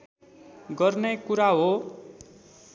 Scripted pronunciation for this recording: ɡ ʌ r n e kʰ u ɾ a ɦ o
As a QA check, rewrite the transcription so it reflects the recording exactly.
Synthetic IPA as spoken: ɡ ʌ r n e k u ɾ a ɦ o